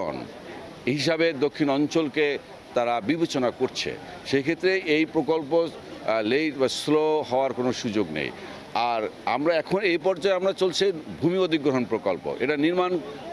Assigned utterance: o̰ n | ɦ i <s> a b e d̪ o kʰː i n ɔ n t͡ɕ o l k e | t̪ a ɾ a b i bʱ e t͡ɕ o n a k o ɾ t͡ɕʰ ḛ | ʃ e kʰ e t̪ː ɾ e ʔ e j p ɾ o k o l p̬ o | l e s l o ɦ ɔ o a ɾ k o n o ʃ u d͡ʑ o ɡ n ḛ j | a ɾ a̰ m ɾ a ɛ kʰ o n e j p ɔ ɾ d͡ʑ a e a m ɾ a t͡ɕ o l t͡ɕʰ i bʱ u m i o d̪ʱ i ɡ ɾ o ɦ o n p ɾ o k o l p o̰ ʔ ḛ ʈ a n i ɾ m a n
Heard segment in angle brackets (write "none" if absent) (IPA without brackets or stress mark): ʃ